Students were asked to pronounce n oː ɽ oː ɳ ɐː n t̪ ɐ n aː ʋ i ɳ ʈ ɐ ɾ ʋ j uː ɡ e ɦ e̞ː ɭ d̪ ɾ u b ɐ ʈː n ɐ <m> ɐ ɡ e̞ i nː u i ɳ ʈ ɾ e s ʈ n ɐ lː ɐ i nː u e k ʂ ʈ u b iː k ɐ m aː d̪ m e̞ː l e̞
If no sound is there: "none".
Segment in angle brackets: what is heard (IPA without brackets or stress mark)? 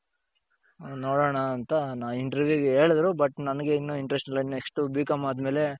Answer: n